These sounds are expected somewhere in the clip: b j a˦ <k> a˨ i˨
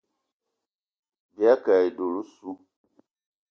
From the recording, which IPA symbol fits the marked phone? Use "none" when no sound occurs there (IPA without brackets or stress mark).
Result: k